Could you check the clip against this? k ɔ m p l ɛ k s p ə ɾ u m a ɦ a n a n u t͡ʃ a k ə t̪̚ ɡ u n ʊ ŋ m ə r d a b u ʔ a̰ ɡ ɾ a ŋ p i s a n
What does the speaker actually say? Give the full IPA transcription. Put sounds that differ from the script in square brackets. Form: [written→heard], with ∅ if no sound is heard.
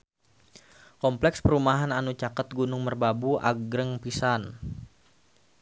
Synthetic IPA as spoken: k ɔ m p l ɛ k s p ə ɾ u m a ɦ a n a n u t͡ʃ a k ə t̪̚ ɡ u n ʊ ŋ m ə r [d→b] a b u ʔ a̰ ɡ ɾ [a→ə] ŋ p i s a n